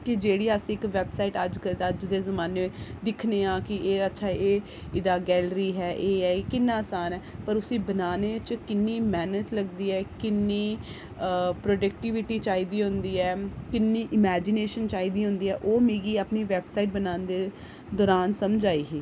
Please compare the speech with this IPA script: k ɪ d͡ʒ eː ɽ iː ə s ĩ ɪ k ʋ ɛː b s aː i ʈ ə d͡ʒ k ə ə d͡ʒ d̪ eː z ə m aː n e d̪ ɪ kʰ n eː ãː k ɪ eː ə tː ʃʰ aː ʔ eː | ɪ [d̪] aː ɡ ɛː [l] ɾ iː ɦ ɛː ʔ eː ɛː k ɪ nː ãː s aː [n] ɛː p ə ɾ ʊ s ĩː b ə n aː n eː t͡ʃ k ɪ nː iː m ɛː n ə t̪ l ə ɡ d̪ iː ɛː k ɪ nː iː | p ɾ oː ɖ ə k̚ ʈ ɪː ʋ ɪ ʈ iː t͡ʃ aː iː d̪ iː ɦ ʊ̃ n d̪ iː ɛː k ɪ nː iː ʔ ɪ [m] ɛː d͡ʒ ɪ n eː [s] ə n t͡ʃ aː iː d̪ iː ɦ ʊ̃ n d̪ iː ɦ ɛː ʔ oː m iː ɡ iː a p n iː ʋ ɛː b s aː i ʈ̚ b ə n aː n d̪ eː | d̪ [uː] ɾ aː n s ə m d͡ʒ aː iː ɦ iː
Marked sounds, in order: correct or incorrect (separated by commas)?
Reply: correct, correct, correct, correct, incorrect, incorrect